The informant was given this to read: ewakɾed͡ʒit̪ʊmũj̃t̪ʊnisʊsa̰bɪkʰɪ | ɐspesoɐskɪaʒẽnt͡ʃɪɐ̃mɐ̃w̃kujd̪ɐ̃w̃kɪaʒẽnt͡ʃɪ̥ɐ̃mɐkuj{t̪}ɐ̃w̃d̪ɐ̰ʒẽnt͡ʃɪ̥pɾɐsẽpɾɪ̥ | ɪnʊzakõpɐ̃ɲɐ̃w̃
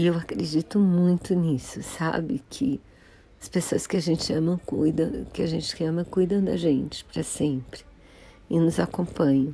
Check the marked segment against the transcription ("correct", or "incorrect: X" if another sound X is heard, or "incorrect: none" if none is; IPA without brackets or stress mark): incorrect: d̪